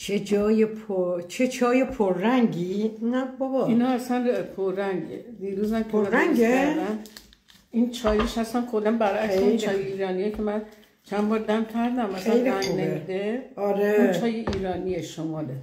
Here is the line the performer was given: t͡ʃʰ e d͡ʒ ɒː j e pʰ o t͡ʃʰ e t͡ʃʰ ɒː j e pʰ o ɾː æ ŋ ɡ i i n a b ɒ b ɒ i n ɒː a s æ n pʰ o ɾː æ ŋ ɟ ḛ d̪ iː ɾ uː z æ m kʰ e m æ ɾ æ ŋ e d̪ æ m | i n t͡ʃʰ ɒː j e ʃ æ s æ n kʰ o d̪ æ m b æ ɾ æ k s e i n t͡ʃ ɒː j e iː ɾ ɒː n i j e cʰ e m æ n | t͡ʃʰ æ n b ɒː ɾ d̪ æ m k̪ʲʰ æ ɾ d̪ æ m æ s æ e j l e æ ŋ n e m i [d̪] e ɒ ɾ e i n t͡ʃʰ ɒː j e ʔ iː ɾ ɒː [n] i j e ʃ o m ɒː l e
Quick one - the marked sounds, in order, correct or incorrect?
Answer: correct, correct

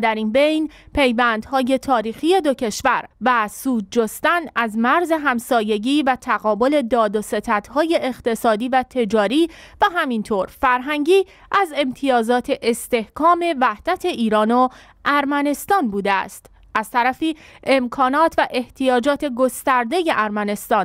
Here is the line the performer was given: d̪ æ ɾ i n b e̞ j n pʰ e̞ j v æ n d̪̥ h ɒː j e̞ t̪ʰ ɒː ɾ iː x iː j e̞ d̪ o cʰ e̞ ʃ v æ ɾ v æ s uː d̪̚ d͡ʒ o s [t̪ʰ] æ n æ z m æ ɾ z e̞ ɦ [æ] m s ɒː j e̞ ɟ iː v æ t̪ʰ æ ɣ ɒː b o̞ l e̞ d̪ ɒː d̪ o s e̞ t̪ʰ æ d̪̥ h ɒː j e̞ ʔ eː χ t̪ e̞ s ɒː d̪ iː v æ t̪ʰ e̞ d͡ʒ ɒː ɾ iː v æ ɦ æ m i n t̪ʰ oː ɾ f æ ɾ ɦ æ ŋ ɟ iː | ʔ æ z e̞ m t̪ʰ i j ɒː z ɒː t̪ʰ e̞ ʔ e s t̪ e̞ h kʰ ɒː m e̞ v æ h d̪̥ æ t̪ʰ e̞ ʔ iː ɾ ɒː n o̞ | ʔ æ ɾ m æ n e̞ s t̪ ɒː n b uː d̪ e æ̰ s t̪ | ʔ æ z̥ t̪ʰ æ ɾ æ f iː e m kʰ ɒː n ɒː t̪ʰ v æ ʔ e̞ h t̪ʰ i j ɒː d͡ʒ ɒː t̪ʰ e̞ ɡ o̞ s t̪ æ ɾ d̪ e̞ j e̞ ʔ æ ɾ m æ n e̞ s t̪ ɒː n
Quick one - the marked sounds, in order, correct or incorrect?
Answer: incorrect: t̪, correct

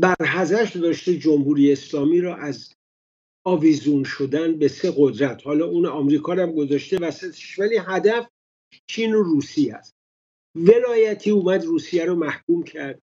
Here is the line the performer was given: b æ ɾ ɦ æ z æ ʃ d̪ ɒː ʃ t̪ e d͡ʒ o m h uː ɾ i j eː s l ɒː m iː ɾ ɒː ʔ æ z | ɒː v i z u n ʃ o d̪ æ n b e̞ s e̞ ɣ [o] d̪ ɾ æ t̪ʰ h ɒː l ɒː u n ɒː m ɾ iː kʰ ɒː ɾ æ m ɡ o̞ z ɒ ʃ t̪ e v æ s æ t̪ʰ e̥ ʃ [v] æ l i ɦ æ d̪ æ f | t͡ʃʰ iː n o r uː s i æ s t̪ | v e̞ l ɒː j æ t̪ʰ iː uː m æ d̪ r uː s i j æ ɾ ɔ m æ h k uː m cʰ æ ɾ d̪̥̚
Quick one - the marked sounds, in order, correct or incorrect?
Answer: correct, correct

